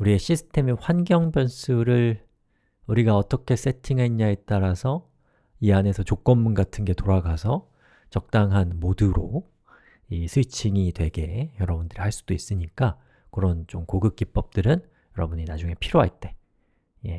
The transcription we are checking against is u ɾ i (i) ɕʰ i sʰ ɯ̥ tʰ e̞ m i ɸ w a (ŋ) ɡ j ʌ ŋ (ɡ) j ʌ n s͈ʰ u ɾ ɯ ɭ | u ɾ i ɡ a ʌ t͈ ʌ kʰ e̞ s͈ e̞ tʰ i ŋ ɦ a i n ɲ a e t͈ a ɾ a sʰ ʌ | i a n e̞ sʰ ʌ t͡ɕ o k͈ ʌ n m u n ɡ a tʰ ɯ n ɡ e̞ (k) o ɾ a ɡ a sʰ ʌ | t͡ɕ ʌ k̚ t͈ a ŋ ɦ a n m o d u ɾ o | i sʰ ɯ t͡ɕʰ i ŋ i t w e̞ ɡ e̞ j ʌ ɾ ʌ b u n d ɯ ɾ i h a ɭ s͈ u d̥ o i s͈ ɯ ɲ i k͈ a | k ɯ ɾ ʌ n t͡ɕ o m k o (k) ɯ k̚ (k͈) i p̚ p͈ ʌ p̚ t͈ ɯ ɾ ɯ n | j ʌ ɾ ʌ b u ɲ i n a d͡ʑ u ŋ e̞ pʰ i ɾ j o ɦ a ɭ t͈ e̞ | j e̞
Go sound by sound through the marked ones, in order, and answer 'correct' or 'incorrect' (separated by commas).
incorrect, incorrect, incorrect, incorrect, incorrect, correct